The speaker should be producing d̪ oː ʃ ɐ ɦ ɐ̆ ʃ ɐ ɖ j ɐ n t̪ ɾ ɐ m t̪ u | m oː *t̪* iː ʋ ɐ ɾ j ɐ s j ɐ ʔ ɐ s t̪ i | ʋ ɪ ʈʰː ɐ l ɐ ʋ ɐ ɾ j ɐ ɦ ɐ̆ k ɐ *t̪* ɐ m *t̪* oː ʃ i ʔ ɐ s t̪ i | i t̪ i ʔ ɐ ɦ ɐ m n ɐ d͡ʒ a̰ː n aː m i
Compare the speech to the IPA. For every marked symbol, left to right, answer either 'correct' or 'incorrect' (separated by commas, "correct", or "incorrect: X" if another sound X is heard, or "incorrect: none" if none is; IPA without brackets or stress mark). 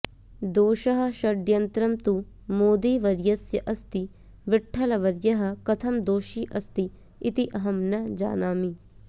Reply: incorrect: d̪, incorrect: t̪ʰ, incorrect: d̪